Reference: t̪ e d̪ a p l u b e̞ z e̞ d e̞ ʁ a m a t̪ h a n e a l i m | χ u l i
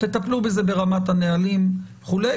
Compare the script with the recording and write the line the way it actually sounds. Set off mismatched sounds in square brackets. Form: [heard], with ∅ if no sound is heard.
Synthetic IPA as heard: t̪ e [t̪] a p l u b e̞ z e̞ [b] e̞ ʁ a m a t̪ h a n e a l i m | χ u l [e]